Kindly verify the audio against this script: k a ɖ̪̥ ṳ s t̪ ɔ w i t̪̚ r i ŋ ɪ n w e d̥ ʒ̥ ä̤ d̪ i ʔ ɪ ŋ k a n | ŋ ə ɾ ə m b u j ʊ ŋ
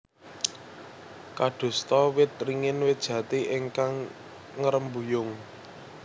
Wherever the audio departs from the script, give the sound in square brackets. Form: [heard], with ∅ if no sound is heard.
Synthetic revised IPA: k a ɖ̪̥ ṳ s t̪ ɔ w [ɪ] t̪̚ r i ŋ ɪ n w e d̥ ʒ̥ ä̤ [t̪] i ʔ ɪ ŋ k a [ŋ] | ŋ ə ɾ ə m b u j ʊ ŋ